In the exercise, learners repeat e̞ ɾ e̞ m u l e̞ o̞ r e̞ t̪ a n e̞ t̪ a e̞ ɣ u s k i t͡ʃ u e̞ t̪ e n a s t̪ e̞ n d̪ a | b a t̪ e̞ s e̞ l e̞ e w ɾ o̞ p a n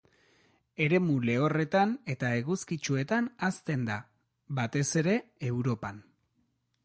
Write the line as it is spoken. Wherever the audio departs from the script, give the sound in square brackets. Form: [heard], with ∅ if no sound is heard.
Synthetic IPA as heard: e̞ ɾ e̞ m u l e̞ o̞ r e̞ t̪ a n e̞ t̪ a e̞ ɣ u s k i t͡ʃ u e̞ t̪ [a] n a s t̪ e̞ n d̪ a | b a t̪ e̞ s e̞ [ɾ] e̞ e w ɾ o̞ p a n